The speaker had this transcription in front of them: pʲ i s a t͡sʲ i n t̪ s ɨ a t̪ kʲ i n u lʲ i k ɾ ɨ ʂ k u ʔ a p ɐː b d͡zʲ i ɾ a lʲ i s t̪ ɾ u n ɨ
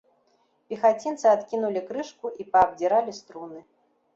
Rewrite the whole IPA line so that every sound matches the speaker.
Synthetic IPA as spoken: pʲ i x a t͡sʲ i n t̪ s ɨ a t̪ kʲ i n u lʲ i k ɾ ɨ ʂ k u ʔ i p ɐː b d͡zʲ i ɾ a lʲ i s t̪ ɾ u n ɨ